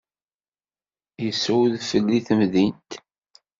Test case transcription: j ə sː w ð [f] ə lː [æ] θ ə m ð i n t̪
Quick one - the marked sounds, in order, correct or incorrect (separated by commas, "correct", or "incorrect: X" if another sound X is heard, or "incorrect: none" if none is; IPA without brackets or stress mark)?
correct, incorrect: i